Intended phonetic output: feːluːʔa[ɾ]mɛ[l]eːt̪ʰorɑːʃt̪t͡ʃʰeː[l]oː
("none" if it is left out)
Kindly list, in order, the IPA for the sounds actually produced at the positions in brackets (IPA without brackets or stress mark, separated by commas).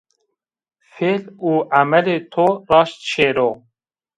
none, l, ɾ